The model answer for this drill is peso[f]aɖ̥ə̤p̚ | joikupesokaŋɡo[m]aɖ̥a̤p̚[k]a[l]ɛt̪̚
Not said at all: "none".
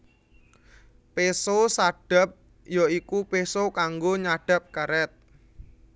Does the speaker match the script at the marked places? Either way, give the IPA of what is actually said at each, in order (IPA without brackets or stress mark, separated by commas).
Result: s, ɲ, k, ɾ